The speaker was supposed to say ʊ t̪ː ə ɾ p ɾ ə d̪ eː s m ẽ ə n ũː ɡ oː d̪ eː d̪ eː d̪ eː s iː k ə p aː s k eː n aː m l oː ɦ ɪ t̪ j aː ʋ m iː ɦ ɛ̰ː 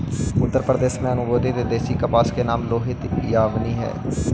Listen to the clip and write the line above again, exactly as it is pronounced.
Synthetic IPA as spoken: ʊ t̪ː ə ɾ p ɾ ə d̪ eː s m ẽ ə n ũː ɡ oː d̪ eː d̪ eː d̪ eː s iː k ə p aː s k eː n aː m l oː ɦ ɪ t̪ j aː ʋ n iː ɦ ɛ̰ː